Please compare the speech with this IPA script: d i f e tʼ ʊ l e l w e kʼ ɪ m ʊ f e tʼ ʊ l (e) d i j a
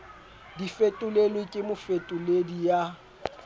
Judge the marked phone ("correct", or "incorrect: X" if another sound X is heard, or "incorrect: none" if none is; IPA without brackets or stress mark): correct